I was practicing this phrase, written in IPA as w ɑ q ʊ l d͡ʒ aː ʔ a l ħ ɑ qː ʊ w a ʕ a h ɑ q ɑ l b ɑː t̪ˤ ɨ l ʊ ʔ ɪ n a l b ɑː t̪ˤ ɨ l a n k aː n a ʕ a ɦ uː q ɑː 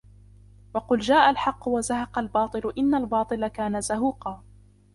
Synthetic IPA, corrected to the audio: w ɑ q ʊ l d͡ʒ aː ʔ a l ħ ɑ qː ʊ w a z a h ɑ q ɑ l b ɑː t̪ˤ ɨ l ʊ ʔ ɪ nː a l b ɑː t̪ˤ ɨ l a k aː n a z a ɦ uː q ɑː